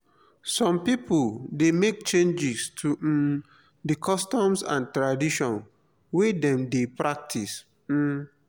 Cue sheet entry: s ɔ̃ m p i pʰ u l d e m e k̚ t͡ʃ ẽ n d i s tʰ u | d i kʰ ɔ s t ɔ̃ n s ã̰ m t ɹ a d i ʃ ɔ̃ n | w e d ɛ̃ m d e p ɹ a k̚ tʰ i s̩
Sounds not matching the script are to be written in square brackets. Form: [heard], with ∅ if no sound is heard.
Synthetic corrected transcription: s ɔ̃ m p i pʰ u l d e m e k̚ t͡ʃ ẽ n [d͡ʒ] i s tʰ u | d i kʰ ɔ s t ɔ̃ [m] s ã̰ [n] t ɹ a d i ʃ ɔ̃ n | w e d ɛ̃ m d e p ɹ a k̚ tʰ i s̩